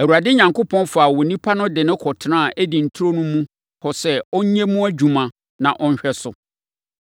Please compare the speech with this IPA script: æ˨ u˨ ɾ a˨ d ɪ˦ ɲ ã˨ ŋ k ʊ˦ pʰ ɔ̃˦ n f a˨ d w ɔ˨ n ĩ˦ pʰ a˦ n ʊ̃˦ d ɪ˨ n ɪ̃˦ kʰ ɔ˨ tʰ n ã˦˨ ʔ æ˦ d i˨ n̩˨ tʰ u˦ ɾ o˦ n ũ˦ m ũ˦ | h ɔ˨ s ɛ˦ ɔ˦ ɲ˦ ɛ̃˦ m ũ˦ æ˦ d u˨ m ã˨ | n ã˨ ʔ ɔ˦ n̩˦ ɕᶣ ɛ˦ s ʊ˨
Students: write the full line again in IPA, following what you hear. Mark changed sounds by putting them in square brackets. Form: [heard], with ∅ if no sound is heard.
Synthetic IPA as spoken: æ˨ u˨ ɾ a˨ d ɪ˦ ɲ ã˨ ŋ k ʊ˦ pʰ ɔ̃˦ n f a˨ [∅] w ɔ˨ n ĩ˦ pʰ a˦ n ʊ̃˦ d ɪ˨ n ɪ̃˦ kʰ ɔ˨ tʰ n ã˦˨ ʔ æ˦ d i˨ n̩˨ tʰ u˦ ɾ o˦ n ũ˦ m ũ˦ | h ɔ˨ s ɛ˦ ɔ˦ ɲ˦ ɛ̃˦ m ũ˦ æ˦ [d͡ʑ] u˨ m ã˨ | n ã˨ ʔ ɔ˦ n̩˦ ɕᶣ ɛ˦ s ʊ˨